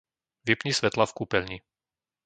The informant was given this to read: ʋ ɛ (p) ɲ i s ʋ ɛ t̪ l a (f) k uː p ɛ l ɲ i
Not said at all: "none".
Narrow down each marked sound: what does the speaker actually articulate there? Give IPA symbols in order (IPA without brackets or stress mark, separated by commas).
p, f